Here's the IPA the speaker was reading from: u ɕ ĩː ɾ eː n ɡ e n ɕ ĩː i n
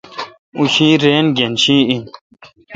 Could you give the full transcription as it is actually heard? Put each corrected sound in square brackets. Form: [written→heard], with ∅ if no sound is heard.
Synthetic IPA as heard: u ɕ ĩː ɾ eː n ɡ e n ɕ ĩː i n

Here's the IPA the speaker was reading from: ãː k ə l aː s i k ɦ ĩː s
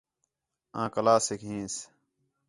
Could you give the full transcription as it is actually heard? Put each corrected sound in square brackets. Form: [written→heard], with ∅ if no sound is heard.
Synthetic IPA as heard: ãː k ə l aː s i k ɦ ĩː s

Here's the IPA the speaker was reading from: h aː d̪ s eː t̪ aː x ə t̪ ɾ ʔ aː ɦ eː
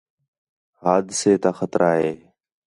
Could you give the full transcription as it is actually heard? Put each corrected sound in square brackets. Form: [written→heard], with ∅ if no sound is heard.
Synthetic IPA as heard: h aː d̪ s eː t̪ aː x ə t̪ ɾ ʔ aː ɦ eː

